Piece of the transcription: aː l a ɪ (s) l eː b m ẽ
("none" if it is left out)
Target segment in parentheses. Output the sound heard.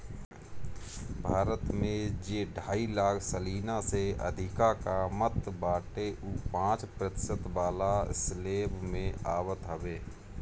s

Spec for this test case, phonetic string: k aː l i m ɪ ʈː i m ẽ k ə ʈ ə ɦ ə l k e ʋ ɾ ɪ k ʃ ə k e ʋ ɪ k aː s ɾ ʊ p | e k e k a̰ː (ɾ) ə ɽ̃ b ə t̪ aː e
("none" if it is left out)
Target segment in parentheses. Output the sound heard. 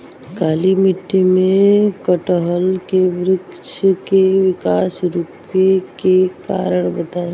ɾ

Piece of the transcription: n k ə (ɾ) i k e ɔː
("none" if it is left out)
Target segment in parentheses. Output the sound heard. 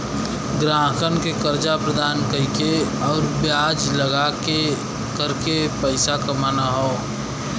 none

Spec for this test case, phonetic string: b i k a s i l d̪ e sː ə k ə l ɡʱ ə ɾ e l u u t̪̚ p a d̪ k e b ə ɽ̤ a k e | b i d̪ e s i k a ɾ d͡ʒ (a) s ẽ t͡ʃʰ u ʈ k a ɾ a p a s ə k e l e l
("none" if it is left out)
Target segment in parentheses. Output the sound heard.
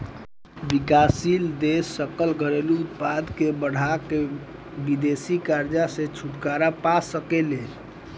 a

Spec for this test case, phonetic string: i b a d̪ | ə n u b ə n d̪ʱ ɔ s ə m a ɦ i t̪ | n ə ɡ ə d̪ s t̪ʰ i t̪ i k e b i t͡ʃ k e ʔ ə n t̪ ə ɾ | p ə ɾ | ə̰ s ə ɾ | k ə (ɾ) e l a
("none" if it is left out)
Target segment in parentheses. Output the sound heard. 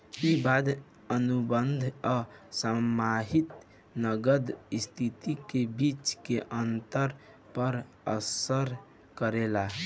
ɾ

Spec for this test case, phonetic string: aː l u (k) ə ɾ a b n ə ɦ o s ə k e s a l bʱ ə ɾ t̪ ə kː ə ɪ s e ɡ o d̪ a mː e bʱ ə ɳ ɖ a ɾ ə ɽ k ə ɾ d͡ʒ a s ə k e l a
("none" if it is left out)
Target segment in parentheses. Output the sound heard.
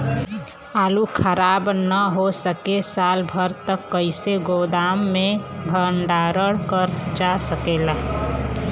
kʰ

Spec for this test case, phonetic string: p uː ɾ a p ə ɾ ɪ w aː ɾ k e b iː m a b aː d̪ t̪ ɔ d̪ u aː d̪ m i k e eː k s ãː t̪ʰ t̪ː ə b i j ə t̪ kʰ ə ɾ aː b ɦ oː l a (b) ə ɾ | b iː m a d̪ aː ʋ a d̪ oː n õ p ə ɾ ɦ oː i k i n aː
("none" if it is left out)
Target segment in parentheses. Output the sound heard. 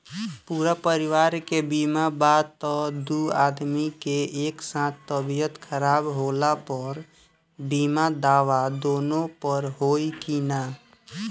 p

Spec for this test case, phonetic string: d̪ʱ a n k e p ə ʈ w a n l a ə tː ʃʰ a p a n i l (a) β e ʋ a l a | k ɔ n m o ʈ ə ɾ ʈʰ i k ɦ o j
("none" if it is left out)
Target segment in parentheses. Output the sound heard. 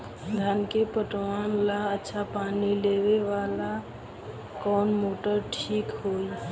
e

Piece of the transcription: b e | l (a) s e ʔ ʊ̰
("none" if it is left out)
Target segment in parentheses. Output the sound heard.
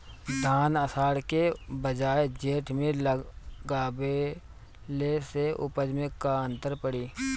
e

